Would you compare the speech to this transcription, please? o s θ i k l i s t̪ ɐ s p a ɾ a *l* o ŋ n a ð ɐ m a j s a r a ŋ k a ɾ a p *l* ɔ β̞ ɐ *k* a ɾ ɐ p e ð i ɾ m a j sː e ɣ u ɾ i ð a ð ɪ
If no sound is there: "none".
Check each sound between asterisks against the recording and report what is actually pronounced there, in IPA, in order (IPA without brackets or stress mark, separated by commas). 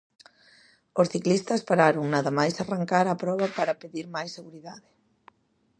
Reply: ɾ, ɾ, p